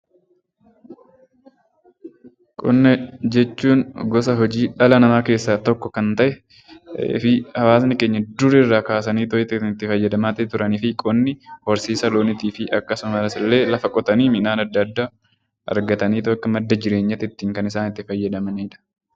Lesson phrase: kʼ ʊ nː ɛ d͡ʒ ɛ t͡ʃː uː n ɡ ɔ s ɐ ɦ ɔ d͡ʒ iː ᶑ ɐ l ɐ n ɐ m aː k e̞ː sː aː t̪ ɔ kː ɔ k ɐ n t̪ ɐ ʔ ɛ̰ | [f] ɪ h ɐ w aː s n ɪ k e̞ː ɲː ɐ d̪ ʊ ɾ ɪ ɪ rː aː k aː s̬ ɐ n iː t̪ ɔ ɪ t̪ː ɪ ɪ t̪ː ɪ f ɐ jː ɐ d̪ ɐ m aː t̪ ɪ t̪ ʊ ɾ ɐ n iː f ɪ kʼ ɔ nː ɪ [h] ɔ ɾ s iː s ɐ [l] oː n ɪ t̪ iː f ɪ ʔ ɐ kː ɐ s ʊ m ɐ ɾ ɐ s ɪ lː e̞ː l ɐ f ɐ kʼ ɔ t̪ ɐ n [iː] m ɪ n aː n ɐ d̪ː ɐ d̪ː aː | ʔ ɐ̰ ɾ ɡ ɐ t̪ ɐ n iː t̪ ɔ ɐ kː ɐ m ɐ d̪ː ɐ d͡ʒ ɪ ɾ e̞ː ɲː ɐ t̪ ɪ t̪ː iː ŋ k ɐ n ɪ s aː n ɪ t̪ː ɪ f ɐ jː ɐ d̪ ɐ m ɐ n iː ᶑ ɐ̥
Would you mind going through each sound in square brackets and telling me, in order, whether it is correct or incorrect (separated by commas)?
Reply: correct, correct, correct, correct